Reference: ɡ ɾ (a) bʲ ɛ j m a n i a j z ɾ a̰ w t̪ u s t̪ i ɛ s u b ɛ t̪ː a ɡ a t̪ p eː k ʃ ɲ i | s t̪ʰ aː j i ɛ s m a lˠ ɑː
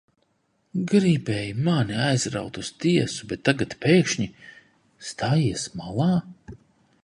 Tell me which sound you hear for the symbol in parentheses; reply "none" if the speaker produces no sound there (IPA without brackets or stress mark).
i